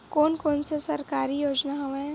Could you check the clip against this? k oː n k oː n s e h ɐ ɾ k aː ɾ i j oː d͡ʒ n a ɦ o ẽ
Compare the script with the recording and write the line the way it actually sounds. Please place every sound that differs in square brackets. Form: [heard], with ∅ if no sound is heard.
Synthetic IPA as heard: k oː n k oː n s e [s] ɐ ɾ k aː ɾ i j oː d͡ʒ n a ɦ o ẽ